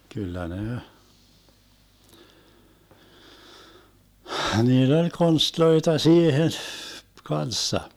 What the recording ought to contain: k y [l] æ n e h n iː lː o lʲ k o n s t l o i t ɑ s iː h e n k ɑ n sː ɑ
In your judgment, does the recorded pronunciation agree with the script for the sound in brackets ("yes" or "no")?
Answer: no